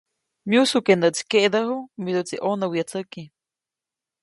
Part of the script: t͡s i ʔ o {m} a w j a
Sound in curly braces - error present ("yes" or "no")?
yes